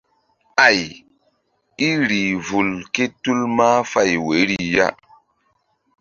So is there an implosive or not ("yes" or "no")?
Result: no